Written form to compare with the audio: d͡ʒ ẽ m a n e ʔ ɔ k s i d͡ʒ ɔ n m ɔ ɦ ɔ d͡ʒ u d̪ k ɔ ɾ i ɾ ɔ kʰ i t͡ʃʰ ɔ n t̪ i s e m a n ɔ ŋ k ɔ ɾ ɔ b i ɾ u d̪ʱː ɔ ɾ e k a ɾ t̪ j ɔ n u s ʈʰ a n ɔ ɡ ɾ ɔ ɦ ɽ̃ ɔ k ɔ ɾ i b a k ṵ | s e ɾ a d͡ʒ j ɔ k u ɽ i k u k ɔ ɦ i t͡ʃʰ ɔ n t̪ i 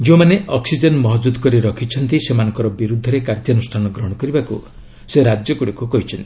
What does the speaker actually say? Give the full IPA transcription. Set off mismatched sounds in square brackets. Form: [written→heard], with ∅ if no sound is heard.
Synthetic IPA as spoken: d͡ʒ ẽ m a n e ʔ ɔ k s i d͡ʒ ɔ n m ɔ ɦ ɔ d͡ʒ u d̪ k ɔ ɾ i ɾ ɔ kʰ i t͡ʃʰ ɔ n t̪ i s e m a n ɔ ŋ k ɔ ɾ ɔ b i ɾ u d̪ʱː ɔ ɾ e k a ɾ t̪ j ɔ n u s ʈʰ a n ɔ ɡ ɾ ɔ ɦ ɽ̃ ɔ k ɔ ɾ i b a k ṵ | s e ɾ a d͡ʒ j ɔ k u ɽ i k u k ɔ ɦ i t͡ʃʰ ɔ n t̪ i